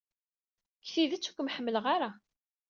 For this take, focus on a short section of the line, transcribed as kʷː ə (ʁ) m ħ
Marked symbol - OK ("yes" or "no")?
no